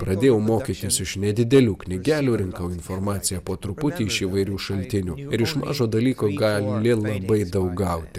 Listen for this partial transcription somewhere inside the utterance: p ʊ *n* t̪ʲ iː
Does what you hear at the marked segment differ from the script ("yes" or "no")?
yes